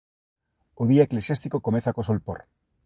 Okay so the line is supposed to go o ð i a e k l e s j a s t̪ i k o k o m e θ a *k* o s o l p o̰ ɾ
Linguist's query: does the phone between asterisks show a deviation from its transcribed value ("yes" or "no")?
no